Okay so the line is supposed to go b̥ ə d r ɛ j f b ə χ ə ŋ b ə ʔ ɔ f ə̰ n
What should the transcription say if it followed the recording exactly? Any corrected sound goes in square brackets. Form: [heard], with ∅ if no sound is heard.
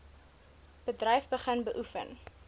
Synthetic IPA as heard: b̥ ə d r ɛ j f b ə χ ə [n] b ə ʔ [u] f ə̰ n